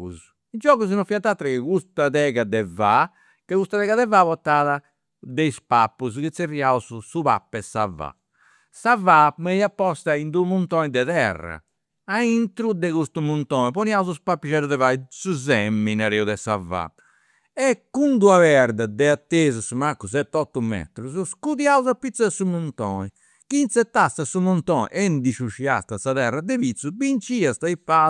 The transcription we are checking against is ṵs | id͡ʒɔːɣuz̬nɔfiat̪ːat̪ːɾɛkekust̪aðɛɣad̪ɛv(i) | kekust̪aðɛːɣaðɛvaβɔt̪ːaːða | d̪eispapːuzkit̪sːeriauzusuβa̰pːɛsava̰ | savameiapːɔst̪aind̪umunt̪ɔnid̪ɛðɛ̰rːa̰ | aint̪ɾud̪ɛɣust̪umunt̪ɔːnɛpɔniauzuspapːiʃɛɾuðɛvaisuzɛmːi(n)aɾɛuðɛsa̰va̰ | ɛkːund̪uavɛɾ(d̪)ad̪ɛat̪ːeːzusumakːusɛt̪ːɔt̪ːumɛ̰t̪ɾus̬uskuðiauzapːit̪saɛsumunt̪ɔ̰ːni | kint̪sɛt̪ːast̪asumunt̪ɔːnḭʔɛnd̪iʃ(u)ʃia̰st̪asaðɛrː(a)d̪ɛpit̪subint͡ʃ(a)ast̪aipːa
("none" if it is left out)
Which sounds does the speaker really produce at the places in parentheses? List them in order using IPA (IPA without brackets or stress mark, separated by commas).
a, n, d̪, u, a, i